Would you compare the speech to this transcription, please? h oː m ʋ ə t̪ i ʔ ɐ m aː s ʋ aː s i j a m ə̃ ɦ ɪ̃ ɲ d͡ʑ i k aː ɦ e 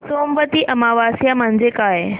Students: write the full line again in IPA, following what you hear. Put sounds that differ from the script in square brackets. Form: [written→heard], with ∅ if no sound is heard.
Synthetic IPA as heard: [h→s] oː m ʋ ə t̪ i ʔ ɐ m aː [s→∅] ʋ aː s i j a m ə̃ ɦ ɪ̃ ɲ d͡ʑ [i→e] k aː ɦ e